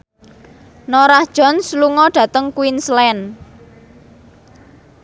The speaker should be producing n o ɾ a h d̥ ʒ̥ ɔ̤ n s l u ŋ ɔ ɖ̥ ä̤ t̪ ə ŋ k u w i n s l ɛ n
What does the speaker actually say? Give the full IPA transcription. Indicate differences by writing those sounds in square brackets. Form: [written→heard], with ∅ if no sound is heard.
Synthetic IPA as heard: n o ɾ a h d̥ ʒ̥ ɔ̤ n s l u ŋ ɔ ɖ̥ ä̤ t̪ ə ŋ k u w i n s l ɛ n